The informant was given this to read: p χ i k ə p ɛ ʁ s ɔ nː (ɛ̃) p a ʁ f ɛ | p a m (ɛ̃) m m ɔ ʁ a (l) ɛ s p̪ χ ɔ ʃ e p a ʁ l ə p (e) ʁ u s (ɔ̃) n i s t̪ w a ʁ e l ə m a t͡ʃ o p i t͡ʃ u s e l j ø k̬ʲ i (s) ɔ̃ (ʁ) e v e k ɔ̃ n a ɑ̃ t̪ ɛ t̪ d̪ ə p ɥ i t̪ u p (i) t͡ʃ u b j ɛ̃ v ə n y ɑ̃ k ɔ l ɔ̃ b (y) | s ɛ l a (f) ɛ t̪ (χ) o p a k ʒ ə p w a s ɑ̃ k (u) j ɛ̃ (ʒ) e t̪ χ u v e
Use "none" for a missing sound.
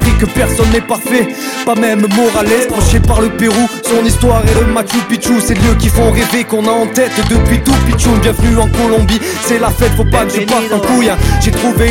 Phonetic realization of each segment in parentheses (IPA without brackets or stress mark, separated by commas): ɛ, ɛ, l, e, ɔ̃, f, ʁ, i, i, f, f, u, ʒ